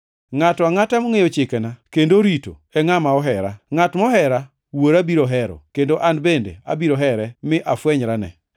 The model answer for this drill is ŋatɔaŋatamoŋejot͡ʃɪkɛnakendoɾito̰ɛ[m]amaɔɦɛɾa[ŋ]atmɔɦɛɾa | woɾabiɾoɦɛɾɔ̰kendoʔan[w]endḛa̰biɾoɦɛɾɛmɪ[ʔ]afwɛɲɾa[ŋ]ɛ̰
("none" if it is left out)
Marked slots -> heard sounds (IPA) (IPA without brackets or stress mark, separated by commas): ŋ, ŋ, b, ʔ, n